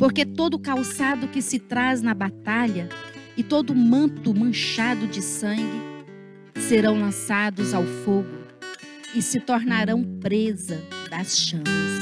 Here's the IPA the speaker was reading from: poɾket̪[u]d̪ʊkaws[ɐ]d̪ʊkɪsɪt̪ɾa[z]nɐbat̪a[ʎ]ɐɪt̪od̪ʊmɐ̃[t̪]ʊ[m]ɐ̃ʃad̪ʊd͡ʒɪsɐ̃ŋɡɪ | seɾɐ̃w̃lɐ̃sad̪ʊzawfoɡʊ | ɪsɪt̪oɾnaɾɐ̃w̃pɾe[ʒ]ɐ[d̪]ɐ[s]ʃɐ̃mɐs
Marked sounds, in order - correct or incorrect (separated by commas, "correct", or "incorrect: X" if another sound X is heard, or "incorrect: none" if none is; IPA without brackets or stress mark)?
incorrect: o, incorrect: a, correct, correct, correct, correct, incorrect: z, correct, correct